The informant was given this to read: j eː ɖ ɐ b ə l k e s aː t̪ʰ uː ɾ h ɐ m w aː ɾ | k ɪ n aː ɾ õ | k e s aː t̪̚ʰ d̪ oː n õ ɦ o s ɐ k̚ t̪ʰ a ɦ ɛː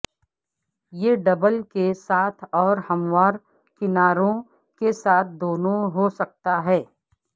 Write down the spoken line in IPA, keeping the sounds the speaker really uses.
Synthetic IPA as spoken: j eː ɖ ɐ b ə l k e s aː t̪ʰ ɔː ɾ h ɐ m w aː ɾ | k ɪ n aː ɾ õ | k e s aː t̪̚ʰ d̪ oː n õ ɦ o s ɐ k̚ t̪ a ɦ ɛː

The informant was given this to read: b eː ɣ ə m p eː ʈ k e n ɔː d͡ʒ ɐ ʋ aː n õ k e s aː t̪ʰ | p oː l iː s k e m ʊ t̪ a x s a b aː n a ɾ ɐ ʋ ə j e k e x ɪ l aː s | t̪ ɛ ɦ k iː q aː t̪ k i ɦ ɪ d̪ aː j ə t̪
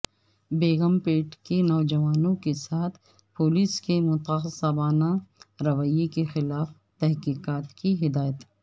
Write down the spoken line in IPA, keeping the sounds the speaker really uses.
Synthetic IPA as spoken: b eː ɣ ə m p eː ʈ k e n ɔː d͡ʒ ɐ ʋ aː n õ k e s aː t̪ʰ | p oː l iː s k e m ʊ t̪ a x s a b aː n a ɾ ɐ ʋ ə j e k e x ɪ l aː f | t̪ ɛ ɦ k iː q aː t̪ k i ɦ ɪ d̪ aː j ə t̪

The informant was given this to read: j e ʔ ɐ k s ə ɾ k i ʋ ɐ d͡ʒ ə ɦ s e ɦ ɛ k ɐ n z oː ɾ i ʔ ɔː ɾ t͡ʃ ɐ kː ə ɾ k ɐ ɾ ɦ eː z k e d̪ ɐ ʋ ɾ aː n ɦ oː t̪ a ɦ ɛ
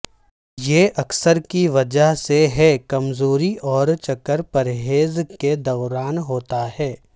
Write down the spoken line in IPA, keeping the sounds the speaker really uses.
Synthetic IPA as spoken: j e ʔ ɐ k s ə ɾ k i ʋ ɐ d͡ʒ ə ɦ s e ɦ ɛ k ɐ m z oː ɾ i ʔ ɔː ɾ t͡ʃ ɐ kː ə ɾ p ɐ ɾ ɦ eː z k e d̪ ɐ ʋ ɾ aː n ɦ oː t̪ a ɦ ɛː

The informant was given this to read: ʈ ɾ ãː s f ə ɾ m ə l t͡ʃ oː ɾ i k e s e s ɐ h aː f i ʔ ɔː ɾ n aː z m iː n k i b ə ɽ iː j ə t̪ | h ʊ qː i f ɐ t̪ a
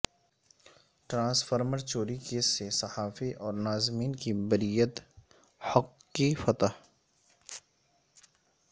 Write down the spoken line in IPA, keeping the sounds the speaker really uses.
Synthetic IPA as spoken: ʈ ɾ ãː s f ə ɾ m ə ɾ t͡ʃ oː ɾ i k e s e s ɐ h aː f i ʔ ɔː ɾ n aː z m iː n k i b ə ɾ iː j ə t̪ | h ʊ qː i f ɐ t̪ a

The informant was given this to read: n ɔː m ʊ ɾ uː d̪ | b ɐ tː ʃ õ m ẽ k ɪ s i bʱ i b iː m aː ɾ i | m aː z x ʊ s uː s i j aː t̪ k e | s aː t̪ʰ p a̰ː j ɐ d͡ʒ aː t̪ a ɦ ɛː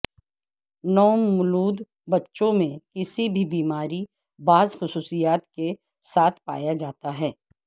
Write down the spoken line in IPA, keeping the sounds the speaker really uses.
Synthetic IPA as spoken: n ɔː m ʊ l uː d̪ | b ɐ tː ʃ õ m ẽ k ɪ s i bʱ i b iː m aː ɾ i | b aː z x ʊ s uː s i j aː t̪ k e | s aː t̪ʰ p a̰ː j a d͡ʒ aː t̪ a ɦ ɛː

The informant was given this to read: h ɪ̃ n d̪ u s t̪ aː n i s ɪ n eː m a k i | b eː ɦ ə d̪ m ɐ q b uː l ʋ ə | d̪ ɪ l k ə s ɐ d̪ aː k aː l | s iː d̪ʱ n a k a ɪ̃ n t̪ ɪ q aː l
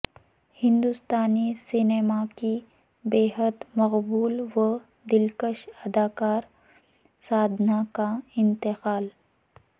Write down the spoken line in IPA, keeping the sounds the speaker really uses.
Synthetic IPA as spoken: h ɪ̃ n d̪ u s t̪ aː n i s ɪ n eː m a k i | b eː ɦ ə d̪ m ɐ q b uː l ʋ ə | d̪ ɪ l k ə ʃ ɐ d̪ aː k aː ɾ | s aː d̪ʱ n a k a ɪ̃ n t̪ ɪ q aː l

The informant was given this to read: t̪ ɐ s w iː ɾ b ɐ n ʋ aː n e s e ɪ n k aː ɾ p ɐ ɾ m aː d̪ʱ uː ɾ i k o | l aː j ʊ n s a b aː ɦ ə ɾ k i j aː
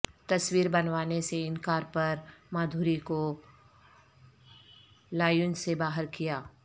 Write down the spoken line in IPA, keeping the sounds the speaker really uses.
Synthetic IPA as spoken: t̪ ɐ s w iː ɾ b ɐ n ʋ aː n e s e ɪ n k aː ɾ p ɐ ɾ m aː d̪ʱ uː ɾ i k o | l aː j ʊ n s e b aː ɦ ə ɾ k i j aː

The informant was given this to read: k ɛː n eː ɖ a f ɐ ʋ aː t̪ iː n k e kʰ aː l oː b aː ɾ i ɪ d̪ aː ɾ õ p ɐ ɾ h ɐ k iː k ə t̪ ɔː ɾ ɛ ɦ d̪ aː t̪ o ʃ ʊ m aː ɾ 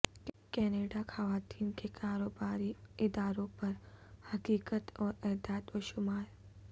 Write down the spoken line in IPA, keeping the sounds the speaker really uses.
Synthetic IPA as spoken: k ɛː n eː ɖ a x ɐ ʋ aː t̪ iː n k e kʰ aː ɾ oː b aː ɾ i ɪ d̪ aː ɾ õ p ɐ ɾ h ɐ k iː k ə t̪ ɔː ɾ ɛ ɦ d̪ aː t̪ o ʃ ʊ m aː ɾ

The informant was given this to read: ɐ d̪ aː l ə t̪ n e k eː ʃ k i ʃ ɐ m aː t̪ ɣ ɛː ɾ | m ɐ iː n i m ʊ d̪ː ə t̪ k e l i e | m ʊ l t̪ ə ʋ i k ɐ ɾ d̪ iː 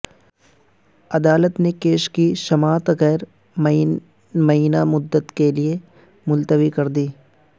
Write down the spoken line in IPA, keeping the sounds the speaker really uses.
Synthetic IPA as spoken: ɐ d̪ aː l ə t̪ n e k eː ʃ k i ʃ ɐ m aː t̪ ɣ ɛː ɾ | m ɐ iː n a m ʊ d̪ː ə t̪ k e l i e | m ʊ l t̪ ə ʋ i k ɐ ɾ d̪ iː

